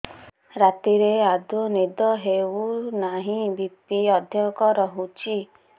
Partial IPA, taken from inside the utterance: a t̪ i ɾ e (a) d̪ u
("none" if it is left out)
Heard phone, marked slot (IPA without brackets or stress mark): a